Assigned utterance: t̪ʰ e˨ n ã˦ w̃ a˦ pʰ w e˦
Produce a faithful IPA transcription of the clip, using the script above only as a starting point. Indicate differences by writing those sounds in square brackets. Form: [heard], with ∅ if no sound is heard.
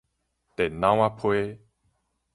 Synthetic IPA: [t̪] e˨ n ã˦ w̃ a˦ pʰ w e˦